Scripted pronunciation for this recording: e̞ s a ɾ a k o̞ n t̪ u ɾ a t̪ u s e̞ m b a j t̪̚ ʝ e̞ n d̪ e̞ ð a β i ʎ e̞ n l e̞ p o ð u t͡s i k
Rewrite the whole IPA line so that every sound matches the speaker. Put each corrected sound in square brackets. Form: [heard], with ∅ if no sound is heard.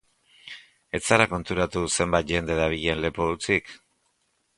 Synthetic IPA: e̞ [t͡s] a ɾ a k o̞ n t̪ u ɾ a t̪ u s e̞ m b a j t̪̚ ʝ e̞ n d̪ e̞ ð a β i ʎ e̞ n l e̞ p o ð u t͡s i k